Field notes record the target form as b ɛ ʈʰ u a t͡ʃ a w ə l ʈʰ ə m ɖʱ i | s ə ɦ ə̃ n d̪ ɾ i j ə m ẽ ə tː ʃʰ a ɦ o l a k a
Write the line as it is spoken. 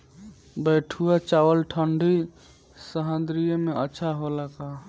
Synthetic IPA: b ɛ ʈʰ u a t͡ʃ a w ə l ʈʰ ə ɳ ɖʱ i | s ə ɦ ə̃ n d̪ ɾ i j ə m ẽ ə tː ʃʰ a ɦ o l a k a

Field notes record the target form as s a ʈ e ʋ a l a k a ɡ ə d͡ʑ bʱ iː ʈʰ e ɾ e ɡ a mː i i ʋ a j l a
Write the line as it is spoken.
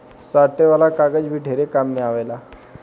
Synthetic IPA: s a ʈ e ʋ a l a k a ɡ ə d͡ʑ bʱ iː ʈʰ e ɾ e k a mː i a ʋ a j l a

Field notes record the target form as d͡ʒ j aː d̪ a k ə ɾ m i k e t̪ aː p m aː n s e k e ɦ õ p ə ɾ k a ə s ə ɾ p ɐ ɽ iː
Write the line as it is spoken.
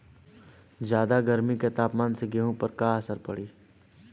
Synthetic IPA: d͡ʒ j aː d̪ a ɡ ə ɾ m i k e t̪ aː p m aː n s e ɡ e ɦ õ p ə ɾ k a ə s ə ɾ p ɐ ɽ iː

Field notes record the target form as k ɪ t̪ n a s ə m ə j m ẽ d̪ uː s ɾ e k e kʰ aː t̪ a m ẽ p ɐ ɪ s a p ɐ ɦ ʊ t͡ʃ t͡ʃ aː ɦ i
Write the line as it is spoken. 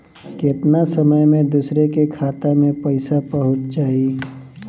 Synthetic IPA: k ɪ t̪ n a s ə m ə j m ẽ d̪ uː s ɾ e k e kʰ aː t̪ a m ẽ p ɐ ɪ s a p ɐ ɦ ʊ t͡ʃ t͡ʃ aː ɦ i

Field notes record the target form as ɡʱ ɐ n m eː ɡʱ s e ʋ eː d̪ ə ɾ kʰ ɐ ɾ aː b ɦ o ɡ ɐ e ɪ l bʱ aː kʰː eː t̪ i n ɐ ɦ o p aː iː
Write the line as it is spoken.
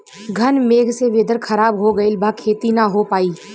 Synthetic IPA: ɡʱ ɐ n m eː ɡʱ s e ʋ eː d̪ ə ɾ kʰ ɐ ɾ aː b ɦ o ɡ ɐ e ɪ l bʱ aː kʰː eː t̪ i n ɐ ɦ o p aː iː

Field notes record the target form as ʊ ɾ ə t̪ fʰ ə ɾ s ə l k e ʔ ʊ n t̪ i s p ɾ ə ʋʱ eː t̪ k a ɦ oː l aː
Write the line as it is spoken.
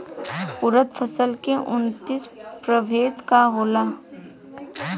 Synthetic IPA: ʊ ɾ ə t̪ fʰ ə s ə l k e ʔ ʊ n t̪ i s p ɾ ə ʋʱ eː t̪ k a ɦ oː l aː

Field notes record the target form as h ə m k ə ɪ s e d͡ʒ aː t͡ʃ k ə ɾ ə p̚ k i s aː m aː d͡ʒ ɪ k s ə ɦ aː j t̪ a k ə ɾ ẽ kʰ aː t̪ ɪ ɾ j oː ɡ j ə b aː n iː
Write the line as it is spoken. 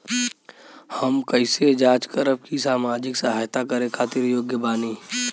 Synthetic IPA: h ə m k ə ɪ s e d͡ʒ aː t͡ʃ k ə ɾ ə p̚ k i s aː m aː d͡ʒ ɪ k s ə ɦ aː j t̪ a k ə ɾ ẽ kʰ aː t̪ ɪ ɾ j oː ɡ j ə b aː n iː

